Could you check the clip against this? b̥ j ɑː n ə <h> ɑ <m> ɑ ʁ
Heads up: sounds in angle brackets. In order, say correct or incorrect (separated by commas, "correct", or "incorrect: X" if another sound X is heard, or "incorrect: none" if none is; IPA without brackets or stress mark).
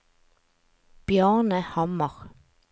correct, correct